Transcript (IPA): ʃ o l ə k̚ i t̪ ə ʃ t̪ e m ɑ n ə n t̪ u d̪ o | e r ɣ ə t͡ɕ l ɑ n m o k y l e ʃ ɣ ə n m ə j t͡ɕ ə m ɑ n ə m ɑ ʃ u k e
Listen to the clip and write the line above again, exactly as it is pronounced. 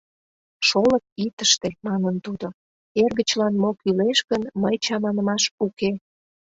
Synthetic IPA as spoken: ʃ o l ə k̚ i t̪ ə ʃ t̪ e m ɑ n ə n t̪ u d̪ o | e r ɣ ə t͡ɕ l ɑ n m o k y l e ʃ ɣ ə n m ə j t͡ɕ ɑ m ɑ n ə m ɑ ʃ u k e